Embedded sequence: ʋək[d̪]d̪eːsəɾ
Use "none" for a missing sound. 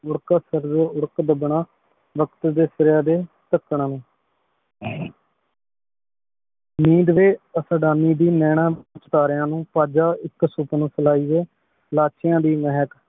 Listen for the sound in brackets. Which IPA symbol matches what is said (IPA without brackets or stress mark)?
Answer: t̪